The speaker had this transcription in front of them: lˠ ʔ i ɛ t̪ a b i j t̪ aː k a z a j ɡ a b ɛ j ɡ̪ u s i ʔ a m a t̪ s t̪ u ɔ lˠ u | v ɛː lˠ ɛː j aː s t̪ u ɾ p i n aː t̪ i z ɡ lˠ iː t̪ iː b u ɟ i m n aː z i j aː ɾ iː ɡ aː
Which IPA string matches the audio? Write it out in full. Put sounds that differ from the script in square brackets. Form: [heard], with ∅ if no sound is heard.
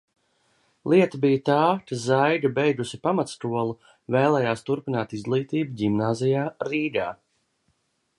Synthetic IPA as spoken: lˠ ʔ i ɛ t̪ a b i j t̪ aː k a z a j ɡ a b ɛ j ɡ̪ u s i [p] a m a t̪ s t̪ u ɔ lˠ u | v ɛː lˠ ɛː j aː s t̪ u ɾ p i n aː t̪ i z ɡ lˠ iː t̪ iː b u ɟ i m n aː z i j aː ɾ iː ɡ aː

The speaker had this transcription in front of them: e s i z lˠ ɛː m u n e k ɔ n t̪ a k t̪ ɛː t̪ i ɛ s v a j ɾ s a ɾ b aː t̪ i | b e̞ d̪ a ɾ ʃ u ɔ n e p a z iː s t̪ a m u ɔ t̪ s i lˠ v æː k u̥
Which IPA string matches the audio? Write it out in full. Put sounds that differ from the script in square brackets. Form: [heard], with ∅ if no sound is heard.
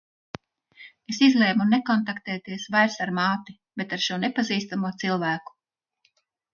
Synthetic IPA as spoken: e s i z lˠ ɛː m u n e k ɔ n t̪ a k t̪ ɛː t̪ i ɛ s v a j ɾ s a ɾ [m] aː t̪ i | b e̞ [t̪] a ɾ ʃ u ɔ n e p a z iː s t̪ a m u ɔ t̪ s i lˠ v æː k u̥

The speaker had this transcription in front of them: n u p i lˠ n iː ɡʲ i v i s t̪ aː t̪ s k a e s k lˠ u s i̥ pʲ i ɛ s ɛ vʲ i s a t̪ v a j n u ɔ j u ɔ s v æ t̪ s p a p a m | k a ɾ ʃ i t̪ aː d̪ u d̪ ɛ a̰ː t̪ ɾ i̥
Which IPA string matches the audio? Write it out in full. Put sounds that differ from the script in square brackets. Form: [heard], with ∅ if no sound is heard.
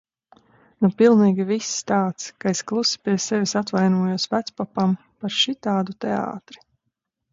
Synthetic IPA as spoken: n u p i lˠ n iː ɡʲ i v i s t̪ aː t̪ s k a e s k lˠ u s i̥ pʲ i ɛ s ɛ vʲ i s a t̪ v a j n u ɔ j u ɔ s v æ t̪ s p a p a m | [p] a ɾ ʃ i t̪ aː d̪ u [t̪] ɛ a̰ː t̪ ɾ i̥

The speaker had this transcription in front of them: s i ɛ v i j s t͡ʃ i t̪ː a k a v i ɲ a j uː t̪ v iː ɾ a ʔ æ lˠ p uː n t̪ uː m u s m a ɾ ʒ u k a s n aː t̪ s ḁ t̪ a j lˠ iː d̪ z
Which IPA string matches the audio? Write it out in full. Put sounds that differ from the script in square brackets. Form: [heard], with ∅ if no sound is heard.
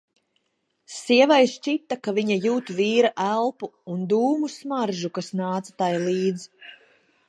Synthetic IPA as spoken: s i ɛ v [a] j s t͡ʃ i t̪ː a k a v i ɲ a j uː t̪ v iː ɾ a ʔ æ lˠ p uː n [d̪] uː m u s m a ɾ ʒ u k a s n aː t̪ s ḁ t̪ a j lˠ iː d̪ z

